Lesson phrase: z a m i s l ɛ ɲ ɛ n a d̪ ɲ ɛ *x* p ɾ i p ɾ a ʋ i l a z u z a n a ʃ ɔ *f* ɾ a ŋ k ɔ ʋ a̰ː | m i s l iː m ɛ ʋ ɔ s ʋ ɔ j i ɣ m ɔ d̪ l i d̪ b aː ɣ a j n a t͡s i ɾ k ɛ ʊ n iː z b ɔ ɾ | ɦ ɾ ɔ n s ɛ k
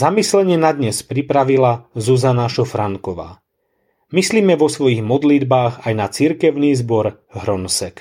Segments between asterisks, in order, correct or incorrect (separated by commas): incorrect, correct